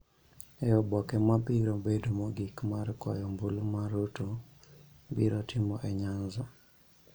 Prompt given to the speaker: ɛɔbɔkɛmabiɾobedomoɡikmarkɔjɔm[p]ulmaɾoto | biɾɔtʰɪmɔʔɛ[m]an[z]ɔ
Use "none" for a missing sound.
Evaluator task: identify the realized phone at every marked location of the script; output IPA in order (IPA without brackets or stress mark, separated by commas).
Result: b, ɲ, z